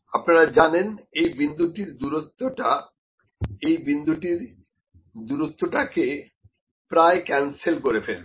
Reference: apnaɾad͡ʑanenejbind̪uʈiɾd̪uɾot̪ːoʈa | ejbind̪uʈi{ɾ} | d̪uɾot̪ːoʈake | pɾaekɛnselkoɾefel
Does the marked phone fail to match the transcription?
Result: no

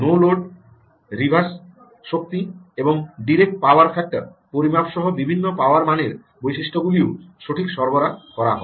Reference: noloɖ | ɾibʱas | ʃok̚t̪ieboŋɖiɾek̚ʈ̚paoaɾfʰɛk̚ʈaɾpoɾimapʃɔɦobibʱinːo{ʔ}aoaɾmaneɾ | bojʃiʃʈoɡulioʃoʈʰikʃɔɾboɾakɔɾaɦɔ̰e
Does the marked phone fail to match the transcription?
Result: yes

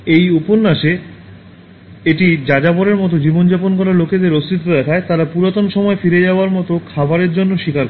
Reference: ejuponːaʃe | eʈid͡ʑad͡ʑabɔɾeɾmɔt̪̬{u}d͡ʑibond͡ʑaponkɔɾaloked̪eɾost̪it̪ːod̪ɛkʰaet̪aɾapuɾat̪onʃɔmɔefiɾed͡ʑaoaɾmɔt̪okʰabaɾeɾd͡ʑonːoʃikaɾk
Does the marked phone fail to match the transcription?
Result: yes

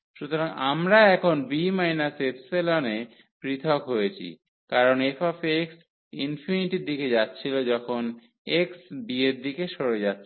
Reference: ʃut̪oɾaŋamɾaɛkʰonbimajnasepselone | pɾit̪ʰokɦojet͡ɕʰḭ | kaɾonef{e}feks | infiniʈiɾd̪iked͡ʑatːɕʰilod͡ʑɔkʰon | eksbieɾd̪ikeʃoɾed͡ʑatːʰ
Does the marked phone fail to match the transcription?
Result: yes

